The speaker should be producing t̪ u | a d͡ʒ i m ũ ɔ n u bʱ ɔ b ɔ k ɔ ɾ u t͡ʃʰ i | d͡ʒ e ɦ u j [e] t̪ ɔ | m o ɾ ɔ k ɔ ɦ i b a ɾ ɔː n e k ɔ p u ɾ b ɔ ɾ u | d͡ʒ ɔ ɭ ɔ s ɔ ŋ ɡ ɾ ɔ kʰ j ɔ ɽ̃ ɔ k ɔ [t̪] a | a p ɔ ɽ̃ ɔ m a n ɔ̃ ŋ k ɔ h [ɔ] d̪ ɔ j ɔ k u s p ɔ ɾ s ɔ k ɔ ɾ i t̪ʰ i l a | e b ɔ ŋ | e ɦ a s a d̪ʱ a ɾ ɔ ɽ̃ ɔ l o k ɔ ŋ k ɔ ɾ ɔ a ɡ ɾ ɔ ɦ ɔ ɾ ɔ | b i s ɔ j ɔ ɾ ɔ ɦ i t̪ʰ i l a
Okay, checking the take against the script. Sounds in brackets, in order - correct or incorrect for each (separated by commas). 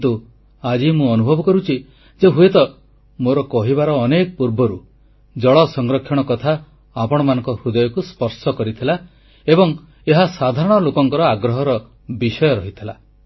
correct, incorrect, incorrect